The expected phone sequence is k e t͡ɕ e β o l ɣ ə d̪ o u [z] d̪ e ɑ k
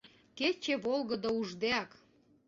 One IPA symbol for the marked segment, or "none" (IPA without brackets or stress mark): ʒ